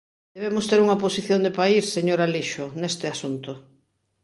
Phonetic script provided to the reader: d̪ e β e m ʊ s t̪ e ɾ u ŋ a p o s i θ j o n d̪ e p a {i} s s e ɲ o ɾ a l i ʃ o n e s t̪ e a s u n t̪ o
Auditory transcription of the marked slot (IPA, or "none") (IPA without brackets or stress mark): i